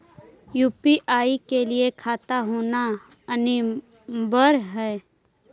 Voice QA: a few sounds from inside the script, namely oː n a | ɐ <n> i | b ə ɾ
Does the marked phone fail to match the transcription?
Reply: no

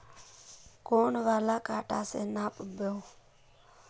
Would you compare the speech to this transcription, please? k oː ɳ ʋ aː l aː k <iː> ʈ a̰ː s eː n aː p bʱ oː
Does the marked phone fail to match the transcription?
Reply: yes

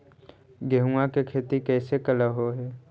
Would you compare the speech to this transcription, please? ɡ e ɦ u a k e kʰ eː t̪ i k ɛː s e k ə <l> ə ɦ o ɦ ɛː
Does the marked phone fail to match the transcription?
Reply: no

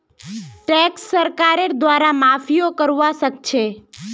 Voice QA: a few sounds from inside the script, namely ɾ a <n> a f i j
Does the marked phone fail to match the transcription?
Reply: yes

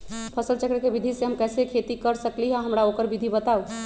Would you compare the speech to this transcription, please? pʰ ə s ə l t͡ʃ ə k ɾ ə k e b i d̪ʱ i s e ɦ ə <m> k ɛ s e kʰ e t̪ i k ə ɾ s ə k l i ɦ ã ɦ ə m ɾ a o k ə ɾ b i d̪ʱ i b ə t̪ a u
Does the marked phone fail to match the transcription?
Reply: no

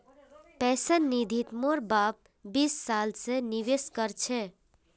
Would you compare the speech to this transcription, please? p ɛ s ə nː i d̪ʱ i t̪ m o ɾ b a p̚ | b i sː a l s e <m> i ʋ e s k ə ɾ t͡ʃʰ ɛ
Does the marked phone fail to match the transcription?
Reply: yes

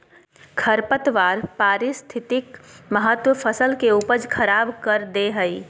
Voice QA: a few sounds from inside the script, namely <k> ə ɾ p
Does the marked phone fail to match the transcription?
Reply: yes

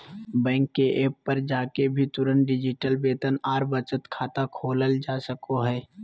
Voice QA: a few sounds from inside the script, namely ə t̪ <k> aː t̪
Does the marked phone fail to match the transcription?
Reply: yes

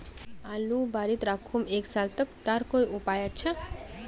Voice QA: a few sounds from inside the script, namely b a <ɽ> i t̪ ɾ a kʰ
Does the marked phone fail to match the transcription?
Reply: yes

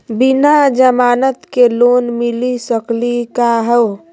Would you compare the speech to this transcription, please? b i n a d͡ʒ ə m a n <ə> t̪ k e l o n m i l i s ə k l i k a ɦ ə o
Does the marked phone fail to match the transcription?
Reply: no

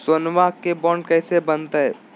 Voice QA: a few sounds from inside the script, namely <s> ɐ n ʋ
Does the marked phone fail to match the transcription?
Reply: no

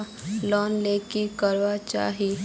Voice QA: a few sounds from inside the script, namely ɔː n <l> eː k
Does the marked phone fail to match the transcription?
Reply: no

